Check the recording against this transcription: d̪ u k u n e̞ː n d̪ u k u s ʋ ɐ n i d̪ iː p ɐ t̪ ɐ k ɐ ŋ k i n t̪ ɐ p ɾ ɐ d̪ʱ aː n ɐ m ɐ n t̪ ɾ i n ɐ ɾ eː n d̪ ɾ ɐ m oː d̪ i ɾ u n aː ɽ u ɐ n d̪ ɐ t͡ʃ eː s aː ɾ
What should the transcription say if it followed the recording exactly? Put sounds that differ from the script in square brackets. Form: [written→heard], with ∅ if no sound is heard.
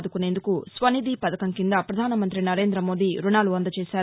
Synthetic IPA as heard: d̪ u k u n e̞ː n d̪ u k u s ʋ ɐ n i d̪ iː p ɐ [t̪→d̪] ɐ k ɐ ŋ k i n [t̪→d̪] ɐ p ɾ ɐ d̪ʱ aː n ɐ m ɐ n t̪ ɾ i n ɐ ɾ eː n d̪ ɾ ɐ m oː d̪ i ɾ u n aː [ɽ→l] u ɐ n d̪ ɐ t͡ʃ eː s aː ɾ

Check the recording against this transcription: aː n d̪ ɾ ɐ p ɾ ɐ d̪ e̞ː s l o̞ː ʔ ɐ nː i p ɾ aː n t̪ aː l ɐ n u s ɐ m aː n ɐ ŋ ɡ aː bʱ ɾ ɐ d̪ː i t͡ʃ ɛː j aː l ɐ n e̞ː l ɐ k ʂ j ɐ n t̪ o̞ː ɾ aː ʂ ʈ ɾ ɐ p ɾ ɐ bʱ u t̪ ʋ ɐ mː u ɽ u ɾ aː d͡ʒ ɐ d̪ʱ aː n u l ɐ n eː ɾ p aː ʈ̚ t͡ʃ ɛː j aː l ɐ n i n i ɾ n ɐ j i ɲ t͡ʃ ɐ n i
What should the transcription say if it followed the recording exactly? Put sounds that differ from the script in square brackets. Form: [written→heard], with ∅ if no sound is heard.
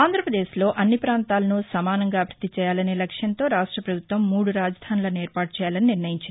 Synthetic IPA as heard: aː n d̪ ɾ ɐ p ɾ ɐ d̪ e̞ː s l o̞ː ʔ ɐ nː i p ɾ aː n t̪ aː l ɐ n u s ɐ m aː n ɐ ŋ ɡ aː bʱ ɾ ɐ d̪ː i t͡ʃ ɛː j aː l ɐ n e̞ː l ɐ k ʂ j ɐ n t̪ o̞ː ɾ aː ʂ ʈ ɾ ɐ p ɾ ɐ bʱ u t̪ ʋ ɐ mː [u→uː] ɽ u ɾ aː d͡ʒ ɐ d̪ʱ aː n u l ɐ n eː ɾ p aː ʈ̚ t͡ʃ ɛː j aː l ɐ n i n i ɾ n ɐ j i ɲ t͡ʃ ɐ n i

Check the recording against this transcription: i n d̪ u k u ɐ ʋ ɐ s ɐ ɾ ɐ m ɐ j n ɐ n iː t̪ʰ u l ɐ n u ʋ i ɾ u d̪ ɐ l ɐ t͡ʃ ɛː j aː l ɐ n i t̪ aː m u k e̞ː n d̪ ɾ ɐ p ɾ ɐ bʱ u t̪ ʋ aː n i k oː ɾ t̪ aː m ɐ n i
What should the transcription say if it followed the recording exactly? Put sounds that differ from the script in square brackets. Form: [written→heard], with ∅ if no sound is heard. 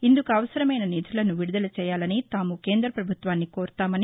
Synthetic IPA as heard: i n d̪ u k u ɐ ʋ ɐ s ɐ ɾ ɐ m ɐ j n ɐ n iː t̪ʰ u l ɐ n u ʋ i [ɾ→ɽ] u d̪ ɐ l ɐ t͡ʃ ɛː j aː l ɐ n i t̪ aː m u k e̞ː n d̪ ɾ ɐ p ɾ ɐ bʱ u t̪ ʋ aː [n→nː] i k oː ɾ t̪ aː m ɐ n i

